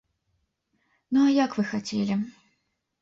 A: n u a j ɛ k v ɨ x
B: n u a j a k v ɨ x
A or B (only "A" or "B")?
B